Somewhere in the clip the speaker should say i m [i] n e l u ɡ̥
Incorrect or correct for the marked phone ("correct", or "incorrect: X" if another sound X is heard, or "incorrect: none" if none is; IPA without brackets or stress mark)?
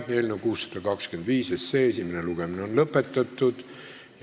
incorrect: e